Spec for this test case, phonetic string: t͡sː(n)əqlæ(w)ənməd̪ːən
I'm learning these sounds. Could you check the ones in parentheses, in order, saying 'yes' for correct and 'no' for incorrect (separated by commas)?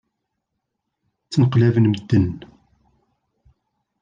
yes, no